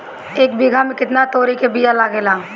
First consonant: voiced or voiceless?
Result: voiceless